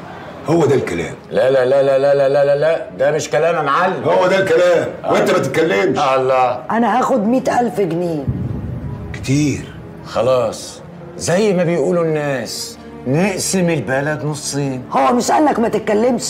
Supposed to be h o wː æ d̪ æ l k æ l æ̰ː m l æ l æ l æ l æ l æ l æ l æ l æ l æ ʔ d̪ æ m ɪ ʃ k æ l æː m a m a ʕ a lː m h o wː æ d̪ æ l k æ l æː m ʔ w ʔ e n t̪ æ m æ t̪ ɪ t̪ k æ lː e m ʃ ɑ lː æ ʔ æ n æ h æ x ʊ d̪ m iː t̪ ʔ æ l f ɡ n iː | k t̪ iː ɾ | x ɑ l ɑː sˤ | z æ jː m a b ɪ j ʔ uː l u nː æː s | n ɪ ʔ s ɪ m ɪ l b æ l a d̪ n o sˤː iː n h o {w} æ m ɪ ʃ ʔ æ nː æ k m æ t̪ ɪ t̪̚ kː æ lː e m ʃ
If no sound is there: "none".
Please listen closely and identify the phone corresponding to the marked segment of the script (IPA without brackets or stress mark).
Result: wː